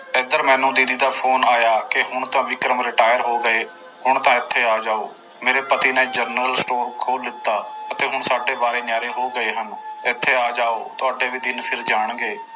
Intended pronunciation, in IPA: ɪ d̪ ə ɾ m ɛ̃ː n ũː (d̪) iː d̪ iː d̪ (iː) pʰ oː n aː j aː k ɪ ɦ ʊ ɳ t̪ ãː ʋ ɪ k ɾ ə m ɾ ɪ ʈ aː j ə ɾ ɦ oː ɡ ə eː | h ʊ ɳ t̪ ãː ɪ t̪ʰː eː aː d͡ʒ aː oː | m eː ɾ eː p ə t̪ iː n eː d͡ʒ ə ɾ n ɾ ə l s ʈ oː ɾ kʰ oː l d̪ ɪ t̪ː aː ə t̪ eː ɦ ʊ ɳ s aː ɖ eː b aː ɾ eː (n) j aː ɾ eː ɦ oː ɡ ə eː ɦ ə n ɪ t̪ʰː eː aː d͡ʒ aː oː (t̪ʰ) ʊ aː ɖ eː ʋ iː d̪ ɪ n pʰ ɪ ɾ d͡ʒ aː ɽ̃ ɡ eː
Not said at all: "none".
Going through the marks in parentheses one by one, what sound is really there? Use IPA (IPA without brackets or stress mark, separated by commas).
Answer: d̪, aː, n, t̪